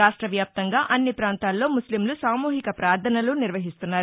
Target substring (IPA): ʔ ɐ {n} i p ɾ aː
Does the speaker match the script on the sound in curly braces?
no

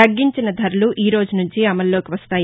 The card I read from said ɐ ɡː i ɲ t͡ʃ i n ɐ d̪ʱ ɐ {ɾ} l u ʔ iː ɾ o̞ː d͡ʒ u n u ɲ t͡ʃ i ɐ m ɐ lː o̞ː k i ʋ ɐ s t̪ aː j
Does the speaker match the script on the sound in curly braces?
yes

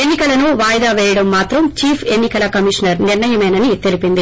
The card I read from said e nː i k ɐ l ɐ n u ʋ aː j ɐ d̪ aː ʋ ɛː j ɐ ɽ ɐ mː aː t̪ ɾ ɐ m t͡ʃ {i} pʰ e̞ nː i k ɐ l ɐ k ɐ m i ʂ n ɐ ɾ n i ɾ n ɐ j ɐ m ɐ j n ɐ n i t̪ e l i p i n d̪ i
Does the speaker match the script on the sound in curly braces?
no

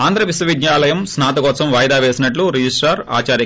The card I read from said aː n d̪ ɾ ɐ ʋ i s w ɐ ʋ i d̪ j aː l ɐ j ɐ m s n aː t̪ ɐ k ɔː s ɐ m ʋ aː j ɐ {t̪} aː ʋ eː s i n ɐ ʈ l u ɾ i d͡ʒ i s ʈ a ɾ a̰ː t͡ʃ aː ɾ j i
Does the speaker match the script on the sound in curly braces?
no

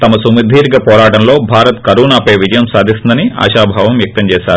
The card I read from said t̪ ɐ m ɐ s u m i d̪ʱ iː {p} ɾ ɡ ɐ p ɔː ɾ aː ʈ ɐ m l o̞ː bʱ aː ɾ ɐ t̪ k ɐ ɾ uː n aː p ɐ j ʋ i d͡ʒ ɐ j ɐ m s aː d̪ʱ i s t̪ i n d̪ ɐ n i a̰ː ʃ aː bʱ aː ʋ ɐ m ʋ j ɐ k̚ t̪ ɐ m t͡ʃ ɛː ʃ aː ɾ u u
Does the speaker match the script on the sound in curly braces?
no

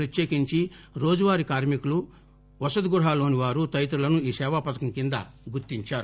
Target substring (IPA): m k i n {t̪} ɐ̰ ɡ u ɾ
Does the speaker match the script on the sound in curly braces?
no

